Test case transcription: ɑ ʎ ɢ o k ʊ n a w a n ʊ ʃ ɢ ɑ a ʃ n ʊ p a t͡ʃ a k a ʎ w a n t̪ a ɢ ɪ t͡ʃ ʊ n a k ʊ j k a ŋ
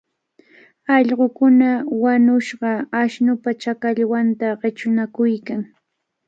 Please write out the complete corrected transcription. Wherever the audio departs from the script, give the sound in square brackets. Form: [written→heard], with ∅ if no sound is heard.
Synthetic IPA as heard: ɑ ʎ ɢ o k ʊ n a w a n ʊ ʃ ɢ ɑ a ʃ n ʊ p a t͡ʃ a k a ʎ w a n t̪ a ɢ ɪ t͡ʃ ʊ n a k ʊ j k a ŋ